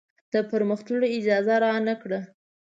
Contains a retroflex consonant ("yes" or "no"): yes